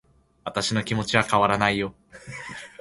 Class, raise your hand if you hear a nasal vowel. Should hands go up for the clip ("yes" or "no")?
no